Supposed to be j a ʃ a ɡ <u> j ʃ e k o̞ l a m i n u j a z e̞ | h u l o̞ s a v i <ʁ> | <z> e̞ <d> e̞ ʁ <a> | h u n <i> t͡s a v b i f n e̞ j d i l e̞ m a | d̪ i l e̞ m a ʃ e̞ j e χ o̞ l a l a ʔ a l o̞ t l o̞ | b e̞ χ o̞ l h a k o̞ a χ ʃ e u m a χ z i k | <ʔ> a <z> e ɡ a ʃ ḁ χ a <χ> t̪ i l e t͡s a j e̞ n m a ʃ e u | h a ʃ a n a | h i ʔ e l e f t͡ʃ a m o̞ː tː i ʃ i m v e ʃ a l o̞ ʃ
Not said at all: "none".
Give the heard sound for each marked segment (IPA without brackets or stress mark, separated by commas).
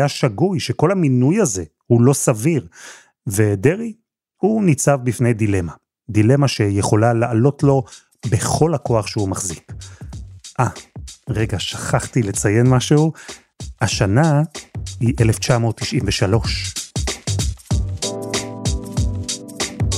u, ʁ, v, d, i, i, ʔ, ʁ, χ